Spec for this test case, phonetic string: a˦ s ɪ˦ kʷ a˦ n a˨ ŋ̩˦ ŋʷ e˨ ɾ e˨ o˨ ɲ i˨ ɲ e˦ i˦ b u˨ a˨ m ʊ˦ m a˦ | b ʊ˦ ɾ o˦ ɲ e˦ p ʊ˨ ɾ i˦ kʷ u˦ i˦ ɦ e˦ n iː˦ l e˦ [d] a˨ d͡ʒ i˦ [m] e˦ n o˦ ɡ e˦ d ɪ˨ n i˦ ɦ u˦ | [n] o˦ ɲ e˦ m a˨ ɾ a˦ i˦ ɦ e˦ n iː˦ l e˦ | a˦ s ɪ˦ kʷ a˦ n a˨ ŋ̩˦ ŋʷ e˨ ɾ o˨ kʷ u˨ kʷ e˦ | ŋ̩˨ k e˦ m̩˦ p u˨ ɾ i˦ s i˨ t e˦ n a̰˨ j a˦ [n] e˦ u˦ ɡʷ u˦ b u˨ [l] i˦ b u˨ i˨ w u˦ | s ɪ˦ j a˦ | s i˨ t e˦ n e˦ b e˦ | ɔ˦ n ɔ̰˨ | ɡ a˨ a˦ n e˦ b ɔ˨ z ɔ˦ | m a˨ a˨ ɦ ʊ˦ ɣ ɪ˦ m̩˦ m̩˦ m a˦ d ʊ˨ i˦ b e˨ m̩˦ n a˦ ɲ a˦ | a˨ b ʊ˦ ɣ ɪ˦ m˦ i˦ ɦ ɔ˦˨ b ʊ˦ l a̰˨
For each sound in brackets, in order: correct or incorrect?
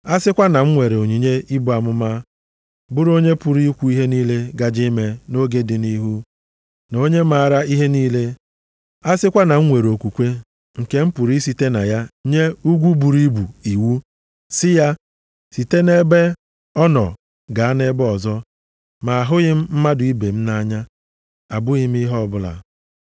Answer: incorrect: ɡ, correct, correct, incorrect: ɲ, incorrect: ɾ

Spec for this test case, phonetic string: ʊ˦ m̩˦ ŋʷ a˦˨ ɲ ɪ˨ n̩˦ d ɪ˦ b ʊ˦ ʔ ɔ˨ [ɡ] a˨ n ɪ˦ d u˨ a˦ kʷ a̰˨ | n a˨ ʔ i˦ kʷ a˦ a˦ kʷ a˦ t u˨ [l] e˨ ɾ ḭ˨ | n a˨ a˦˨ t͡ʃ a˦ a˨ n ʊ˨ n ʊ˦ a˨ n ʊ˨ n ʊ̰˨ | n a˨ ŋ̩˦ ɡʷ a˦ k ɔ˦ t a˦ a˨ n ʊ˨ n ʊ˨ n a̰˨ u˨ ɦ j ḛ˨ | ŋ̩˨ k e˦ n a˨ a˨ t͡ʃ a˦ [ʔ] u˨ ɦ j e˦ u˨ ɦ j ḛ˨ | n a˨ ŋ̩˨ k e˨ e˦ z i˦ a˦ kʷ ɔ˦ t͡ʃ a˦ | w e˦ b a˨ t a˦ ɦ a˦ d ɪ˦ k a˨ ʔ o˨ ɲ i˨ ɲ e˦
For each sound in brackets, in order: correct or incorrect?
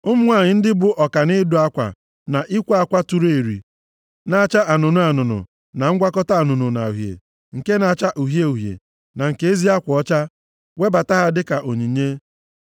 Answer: incorrect: k, incorrect: ɾ, correct

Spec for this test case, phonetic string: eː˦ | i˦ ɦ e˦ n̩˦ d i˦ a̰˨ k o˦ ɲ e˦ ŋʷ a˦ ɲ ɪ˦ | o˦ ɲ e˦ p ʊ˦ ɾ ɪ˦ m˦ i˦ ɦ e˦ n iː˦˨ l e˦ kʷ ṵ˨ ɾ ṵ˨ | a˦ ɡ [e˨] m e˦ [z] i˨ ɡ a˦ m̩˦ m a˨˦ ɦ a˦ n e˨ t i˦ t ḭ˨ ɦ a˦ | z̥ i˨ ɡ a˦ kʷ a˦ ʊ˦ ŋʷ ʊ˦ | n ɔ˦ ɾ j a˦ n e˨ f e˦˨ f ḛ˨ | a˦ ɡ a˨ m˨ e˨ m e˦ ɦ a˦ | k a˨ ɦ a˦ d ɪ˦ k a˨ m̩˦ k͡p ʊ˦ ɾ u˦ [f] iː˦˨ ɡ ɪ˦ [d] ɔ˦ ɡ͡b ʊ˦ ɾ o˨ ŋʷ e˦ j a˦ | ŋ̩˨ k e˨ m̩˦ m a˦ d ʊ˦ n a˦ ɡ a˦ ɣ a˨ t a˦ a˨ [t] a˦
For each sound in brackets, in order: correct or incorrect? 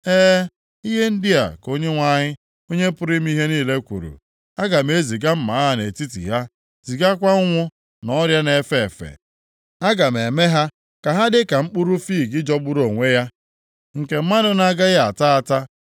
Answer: incorrect: a˨, correct, correct, incorrect: d͡ʒ, correct

